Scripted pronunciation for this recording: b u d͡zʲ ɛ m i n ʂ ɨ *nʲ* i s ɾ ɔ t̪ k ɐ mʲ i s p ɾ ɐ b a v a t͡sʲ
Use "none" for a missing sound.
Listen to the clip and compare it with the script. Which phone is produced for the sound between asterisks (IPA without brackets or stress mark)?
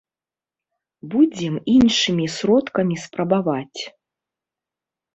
mʲ